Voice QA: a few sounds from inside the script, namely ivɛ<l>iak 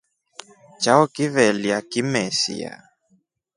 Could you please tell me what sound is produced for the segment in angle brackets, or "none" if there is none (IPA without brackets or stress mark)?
l